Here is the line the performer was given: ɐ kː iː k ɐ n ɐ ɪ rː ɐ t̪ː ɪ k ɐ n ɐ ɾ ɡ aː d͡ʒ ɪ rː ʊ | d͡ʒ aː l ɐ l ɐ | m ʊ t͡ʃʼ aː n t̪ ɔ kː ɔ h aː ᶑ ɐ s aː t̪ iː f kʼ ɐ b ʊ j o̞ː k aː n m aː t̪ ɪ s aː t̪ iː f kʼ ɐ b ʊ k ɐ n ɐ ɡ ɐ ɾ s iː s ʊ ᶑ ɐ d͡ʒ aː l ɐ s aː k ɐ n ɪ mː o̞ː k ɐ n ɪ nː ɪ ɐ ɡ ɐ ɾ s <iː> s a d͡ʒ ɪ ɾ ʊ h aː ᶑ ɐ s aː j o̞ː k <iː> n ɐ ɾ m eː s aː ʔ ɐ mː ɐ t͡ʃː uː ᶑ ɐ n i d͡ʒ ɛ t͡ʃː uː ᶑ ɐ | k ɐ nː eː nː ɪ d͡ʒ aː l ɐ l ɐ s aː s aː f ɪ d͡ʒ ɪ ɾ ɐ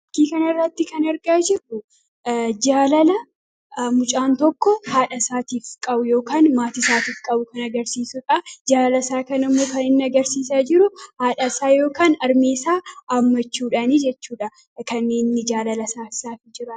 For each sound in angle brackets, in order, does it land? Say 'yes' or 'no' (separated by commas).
yes, no